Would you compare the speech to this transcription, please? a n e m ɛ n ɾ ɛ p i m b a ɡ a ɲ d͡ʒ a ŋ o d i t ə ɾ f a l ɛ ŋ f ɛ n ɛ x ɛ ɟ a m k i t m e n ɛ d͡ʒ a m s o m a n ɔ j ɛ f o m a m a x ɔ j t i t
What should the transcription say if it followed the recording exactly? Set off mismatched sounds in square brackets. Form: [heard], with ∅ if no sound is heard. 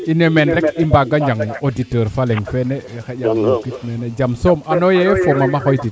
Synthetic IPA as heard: [i] n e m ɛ n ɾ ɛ [k] i m b a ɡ a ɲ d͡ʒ a ŋ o d i t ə ɾ f a l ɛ ŋ f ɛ n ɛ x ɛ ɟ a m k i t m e n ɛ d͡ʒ a m s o m a n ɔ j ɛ f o m a m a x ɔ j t i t